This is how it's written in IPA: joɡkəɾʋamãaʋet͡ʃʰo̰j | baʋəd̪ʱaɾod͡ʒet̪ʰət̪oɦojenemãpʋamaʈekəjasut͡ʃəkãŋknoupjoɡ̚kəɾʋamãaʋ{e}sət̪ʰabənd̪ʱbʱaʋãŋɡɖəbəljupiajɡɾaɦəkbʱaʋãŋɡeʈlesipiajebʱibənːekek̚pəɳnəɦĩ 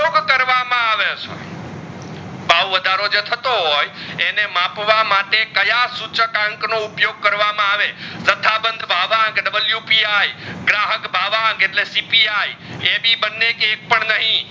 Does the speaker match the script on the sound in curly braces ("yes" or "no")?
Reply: yes